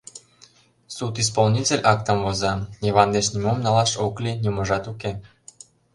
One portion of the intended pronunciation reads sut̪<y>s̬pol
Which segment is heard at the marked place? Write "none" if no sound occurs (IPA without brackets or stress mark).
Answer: i